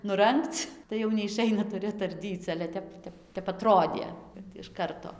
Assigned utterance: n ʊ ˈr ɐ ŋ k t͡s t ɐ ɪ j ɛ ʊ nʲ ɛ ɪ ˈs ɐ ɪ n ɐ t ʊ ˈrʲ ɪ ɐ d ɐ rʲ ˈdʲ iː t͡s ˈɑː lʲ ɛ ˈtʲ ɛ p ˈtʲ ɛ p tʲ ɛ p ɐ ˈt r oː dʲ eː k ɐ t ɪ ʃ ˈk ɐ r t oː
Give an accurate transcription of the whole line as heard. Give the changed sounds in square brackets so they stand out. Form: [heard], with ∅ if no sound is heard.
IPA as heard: n ʊ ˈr ɐ ŋ k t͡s t ɐ ɪ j ɛ ʊ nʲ ɛ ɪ [ˈʃ] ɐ ɪ n ɐ t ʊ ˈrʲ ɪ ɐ [t] ɐ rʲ ˈdʲ iː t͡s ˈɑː lʲ ɛ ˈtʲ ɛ p ˈtʲ ɛ p tʲ ɛ p ɐ ˈt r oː dʲ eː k ɐ t ɪ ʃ ˈk ɐ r t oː